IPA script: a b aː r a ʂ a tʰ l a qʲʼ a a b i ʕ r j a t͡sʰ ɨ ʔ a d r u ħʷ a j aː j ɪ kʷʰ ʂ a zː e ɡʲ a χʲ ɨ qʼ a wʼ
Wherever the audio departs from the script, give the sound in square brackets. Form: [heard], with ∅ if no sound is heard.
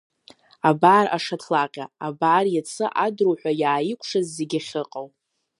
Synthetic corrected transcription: a b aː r a ʂ a tʰ l a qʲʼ a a b [a] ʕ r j a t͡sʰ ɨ ʔ a d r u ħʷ a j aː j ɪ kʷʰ ʂ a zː e ɡʲ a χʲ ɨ qʼ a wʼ